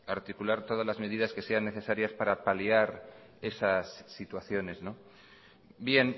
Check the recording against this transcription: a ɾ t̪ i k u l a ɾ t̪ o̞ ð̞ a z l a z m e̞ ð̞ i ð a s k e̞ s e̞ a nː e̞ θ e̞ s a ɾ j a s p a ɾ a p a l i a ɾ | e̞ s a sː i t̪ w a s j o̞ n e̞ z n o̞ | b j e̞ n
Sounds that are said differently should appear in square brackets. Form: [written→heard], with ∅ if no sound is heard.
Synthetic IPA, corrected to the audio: a ɾ t̪ i k u l a ɾ t̪ o̞ ð̞ a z l a z m e̞ ð̞ i ð a s k e̞ s e̞ a nː e̞ θ e̞ s a ɾ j a s p a ɾ a p a l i a ɾ | e̞ s a sː i t̪ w a [s→θ] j o̞ n e̞ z n o̞ | b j e̞ n